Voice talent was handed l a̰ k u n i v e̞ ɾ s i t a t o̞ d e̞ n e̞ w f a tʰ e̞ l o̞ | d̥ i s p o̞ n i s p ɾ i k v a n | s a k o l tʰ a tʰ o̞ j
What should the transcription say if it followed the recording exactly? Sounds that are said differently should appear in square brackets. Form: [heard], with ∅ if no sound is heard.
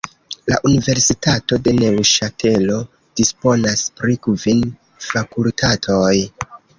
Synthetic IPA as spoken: l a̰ [ʔ] u n i v e̞ ɾ s i t a t o̞ d e̞ n e̞ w [ʃ] a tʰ e̞ l o̞ | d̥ i s p o̞ n [a] s p ɾ i k v [i] n | [f] a k [u] l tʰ a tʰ o̞ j